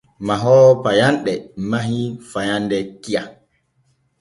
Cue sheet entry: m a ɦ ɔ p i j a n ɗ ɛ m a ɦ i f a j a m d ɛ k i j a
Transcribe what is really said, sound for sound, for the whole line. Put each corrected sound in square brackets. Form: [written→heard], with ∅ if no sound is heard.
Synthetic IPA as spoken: m a ɦ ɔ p [i→a] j a n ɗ ɛ m a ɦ i f a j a [m→n] d ɛ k i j a